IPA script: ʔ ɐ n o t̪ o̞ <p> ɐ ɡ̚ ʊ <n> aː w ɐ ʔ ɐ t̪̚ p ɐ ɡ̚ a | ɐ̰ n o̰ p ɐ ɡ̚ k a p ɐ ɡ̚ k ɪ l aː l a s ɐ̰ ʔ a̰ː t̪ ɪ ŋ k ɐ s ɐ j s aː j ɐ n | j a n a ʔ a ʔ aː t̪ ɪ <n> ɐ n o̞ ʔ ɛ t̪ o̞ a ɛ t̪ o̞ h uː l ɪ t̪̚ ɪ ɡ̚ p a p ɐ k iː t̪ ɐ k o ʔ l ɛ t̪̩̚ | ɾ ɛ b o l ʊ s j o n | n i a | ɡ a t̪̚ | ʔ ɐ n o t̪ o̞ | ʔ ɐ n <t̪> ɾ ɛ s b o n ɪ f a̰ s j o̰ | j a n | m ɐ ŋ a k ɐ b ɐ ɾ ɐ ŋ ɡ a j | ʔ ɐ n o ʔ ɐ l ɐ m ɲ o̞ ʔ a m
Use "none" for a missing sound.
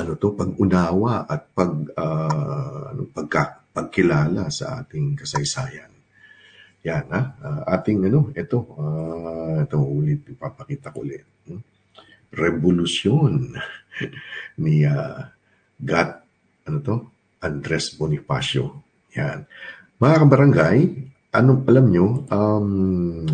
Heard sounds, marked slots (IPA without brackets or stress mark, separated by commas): p, n, ŋ, d̪